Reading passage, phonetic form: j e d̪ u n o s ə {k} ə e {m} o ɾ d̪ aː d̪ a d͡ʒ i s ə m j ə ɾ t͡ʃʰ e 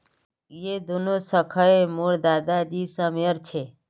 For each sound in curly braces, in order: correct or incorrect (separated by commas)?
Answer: incorrect, correct